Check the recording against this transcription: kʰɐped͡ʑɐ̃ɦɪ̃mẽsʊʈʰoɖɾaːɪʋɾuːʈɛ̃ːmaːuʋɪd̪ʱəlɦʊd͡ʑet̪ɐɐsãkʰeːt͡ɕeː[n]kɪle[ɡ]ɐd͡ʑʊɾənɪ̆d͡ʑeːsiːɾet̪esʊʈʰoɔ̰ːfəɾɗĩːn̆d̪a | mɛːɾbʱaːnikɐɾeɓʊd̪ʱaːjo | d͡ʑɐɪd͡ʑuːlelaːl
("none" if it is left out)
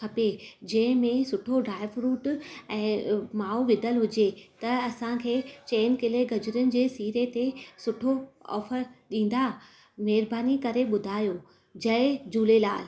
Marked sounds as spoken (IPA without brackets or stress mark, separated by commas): n, ɡ